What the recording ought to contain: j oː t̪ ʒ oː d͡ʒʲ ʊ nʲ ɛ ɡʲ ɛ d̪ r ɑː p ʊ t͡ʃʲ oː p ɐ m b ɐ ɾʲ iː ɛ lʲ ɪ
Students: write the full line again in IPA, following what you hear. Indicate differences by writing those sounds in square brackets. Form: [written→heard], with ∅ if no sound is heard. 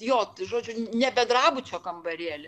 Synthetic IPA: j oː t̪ ʒ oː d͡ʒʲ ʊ nʲ ɛ [ɡʲ→bʲ] ɛ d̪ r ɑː [p→b] ʊ t͡ʃʲ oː [p→k] ɐ m b ɐ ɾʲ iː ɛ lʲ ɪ